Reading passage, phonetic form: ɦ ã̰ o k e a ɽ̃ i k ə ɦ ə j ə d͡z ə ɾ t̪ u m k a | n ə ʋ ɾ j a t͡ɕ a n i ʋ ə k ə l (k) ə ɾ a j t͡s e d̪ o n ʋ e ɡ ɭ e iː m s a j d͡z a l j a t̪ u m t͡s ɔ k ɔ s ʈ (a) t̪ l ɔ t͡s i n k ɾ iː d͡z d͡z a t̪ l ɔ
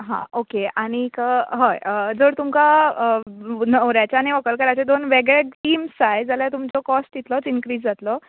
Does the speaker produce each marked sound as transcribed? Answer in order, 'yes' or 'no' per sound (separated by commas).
yes, no